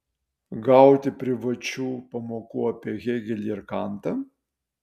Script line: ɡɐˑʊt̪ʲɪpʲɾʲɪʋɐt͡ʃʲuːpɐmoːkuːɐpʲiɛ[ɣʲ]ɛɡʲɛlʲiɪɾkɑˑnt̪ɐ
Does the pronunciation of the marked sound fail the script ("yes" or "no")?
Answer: no